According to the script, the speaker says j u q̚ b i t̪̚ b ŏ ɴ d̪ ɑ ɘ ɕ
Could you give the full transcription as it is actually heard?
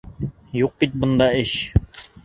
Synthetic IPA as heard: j u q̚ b i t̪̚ b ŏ n d̪ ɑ ɘ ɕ